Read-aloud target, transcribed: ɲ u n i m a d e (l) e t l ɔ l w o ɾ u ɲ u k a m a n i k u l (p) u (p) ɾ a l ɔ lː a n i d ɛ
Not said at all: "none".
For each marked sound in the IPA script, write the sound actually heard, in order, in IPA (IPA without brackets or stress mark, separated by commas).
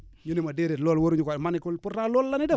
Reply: ɾ, p, none